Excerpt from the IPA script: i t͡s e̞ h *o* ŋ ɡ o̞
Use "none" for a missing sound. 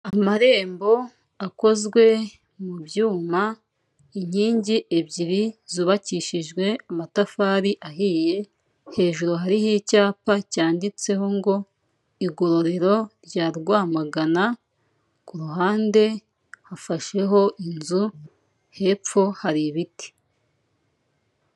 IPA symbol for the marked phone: o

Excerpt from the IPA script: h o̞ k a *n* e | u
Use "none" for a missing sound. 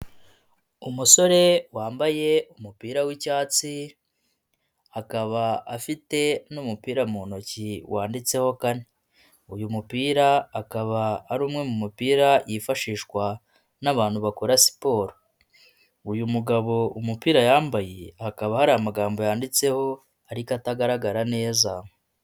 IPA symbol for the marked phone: n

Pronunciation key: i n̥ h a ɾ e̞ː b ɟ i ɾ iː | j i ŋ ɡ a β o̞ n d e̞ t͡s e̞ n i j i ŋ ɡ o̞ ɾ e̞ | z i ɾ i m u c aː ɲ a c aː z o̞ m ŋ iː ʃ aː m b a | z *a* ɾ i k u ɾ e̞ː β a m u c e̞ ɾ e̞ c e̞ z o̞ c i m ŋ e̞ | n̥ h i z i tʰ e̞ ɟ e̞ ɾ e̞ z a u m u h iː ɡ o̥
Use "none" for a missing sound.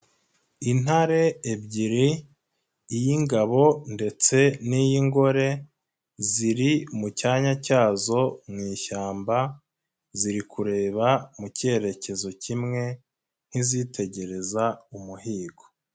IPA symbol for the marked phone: i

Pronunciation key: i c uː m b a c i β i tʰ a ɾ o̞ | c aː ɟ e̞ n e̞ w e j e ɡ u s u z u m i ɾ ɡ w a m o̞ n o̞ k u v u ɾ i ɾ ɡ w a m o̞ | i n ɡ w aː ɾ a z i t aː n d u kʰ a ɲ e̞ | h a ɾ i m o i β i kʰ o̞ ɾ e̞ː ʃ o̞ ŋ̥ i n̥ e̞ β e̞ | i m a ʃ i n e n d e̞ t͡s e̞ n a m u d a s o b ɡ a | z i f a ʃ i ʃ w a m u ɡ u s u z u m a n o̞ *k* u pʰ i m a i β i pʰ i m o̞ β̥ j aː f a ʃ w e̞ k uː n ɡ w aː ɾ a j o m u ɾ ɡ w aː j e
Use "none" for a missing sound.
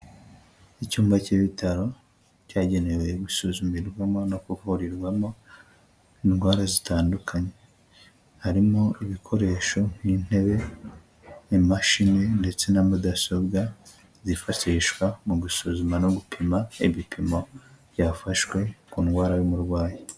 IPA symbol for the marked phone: ɡ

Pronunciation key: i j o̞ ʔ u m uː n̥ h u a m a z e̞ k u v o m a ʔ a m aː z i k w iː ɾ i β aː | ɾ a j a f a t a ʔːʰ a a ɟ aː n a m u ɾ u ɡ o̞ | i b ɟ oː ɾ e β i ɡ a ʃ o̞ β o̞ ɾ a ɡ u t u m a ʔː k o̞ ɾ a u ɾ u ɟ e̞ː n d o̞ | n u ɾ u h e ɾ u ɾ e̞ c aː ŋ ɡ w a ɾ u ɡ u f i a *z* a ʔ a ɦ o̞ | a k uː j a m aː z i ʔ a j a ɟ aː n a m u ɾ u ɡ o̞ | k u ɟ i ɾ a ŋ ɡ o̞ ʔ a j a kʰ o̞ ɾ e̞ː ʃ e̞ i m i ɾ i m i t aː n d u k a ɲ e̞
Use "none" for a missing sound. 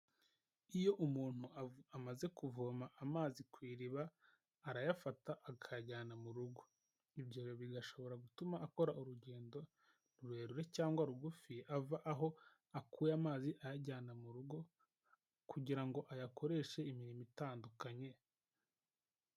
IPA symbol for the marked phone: v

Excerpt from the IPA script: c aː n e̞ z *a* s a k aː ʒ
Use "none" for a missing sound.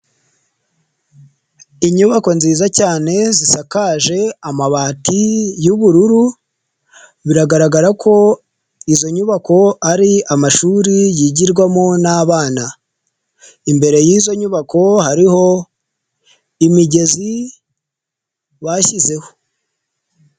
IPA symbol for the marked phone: i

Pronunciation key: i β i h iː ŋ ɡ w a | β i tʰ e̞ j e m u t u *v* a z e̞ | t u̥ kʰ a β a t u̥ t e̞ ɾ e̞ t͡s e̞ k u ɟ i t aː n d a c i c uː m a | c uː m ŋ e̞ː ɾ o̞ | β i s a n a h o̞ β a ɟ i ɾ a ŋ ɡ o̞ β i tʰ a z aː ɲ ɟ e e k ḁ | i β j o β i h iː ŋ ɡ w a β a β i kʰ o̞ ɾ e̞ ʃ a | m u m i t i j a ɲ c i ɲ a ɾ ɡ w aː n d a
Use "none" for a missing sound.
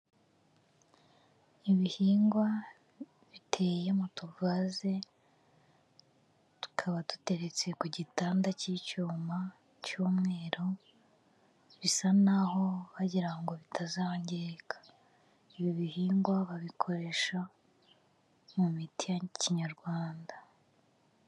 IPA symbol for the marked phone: v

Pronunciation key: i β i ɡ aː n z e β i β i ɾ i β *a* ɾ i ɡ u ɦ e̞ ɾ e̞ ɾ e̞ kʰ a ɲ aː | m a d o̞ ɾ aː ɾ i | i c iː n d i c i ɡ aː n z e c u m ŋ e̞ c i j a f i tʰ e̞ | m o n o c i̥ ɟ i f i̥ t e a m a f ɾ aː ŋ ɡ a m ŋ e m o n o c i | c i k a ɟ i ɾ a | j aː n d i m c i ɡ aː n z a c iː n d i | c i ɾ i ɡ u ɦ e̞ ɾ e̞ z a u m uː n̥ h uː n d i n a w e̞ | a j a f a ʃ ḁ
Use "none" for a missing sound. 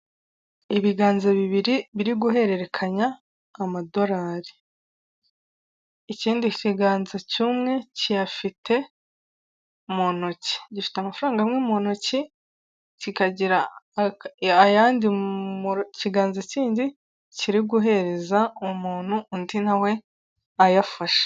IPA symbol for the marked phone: i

